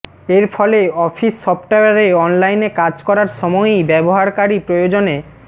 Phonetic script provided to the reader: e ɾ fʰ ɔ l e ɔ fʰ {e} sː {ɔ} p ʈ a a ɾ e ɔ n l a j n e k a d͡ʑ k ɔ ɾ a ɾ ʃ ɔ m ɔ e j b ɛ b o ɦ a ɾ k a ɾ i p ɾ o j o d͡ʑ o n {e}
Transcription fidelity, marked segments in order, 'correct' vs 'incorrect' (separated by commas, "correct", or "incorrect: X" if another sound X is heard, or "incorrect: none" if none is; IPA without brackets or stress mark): incorrect: i, correct, correct